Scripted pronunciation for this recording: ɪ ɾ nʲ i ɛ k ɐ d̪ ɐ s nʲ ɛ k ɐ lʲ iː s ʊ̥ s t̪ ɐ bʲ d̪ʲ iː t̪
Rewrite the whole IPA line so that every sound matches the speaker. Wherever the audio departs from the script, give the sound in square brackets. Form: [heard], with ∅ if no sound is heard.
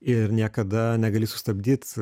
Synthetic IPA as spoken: ɪ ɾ nʲ i ɛ k ɐ d̪ ɐ [∅] nʲ ɛ [ɡ] ɐ lʲ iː s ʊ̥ s t̪ ɐ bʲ d̪ʲ iː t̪